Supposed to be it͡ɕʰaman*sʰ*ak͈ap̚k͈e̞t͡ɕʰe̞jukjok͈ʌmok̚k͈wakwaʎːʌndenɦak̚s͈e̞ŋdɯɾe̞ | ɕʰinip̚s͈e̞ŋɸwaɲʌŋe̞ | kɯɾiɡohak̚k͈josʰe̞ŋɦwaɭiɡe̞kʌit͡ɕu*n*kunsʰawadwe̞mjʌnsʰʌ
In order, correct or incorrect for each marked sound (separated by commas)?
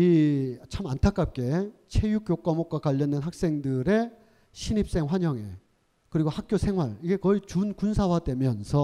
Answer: incorrect, correct